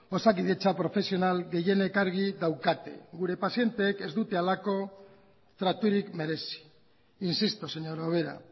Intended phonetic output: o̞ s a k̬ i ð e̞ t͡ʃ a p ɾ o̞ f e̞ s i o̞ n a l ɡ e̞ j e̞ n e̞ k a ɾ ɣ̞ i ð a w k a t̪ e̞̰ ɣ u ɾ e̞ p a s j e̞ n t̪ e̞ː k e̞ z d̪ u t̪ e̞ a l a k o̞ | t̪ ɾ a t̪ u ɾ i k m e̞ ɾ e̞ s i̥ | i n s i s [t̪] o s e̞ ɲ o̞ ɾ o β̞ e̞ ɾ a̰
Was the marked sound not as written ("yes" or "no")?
no